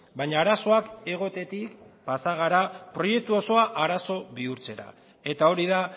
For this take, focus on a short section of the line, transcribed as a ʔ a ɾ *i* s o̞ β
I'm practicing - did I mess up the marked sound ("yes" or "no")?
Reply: yes